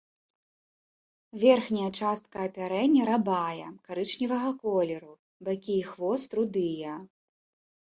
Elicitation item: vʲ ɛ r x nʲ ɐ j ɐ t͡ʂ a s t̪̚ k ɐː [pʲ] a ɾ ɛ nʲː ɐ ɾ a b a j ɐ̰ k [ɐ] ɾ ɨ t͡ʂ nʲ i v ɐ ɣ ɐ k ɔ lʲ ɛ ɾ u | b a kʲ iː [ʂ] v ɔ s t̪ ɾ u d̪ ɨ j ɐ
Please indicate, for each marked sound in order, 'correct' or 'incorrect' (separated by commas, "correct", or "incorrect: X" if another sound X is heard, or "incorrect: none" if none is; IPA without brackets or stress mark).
correct, incorrect: a, incorrect: x